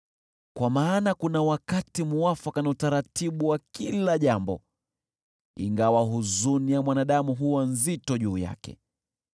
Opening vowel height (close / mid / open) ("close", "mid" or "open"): open